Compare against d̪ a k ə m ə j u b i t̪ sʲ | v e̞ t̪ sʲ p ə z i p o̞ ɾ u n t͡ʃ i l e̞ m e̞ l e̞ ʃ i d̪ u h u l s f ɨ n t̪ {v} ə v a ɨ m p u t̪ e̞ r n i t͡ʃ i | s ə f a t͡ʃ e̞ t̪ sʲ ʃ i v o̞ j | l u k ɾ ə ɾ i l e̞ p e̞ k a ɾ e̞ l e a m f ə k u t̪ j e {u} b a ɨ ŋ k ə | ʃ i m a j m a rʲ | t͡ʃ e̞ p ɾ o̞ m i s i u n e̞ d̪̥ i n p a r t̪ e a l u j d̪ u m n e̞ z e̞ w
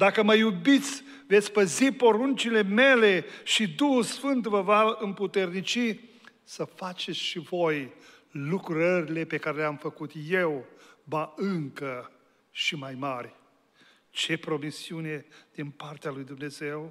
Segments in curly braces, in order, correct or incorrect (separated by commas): correct, incorrect